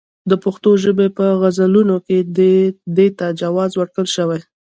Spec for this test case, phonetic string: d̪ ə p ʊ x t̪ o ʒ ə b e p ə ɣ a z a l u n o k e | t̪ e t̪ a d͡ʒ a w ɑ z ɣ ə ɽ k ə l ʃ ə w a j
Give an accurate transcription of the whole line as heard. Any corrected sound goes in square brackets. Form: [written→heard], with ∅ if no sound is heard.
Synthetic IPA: d̪ ə p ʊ x t̪ o ʒ ə b e p ə ɣ a z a l u n o k e | [t̪→d̪] e t̪ a d͡ʒ a w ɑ z [ɣ→w] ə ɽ k ə l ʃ ə w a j